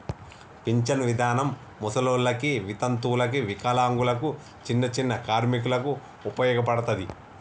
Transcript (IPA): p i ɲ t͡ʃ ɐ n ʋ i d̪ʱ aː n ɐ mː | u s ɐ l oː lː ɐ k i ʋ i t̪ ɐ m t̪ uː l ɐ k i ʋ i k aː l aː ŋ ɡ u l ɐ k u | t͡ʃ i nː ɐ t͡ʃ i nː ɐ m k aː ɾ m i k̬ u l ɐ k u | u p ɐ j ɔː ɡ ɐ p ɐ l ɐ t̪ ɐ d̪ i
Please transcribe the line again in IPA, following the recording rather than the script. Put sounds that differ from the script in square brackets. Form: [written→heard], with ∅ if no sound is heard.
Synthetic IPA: p i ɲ t͡ʃ ɐ n ʋ i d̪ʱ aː n ɐ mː | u s ɐ l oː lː ɐ k i ʋ i t̪ ɐ [m→n] t̪ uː l ɐ k i ʋ i k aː l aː ŋ ɡ u l ɐ k u | t͡ʃ i nː ɐ t͡ʃ i nː ɐ [m→∅] k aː ɾ m i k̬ u l ɐ k u | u p ɐ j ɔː ɡ ɐ p ɐ [l→ɽ] ɐ t̪ ɐ d̪ i

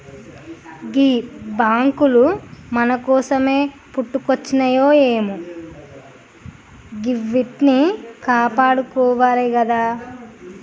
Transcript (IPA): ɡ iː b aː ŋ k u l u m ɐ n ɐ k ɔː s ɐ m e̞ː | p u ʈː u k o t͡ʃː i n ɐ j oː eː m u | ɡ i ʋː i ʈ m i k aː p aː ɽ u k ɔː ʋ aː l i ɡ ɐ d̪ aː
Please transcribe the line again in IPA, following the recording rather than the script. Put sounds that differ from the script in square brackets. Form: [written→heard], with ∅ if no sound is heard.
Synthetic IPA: ɡ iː b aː ŋ k u l u m ɐ n ɐ k ɔː s ɐ m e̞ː | p u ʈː u k o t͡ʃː i n ɐ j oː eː m u | ɡ i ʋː i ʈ [m→n] i k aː p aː ɽ u k ɔː ʋ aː l i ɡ ɐ d̪ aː

